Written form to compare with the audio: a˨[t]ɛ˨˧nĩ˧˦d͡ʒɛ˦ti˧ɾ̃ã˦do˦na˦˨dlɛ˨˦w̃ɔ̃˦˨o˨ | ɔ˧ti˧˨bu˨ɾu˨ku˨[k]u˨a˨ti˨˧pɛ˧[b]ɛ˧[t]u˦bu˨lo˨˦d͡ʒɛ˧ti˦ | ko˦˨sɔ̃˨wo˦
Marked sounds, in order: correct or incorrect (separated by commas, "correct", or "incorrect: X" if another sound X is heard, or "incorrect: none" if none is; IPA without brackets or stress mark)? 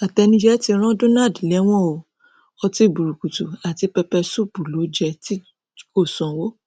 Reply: correct, incorrect: t, incorrect: p, incorrect: s